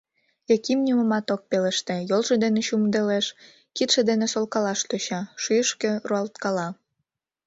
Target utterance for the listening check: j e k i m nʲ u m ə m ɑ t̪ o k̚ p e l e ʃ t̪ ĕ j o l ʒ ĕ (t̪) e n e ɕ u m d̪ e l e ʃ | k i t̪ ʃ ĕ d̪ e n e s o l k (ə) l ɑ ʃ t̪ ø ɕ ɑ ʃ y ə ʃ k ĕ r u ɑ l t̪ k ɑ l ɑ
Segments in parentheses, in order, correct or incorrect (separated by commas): incorrect, incorrect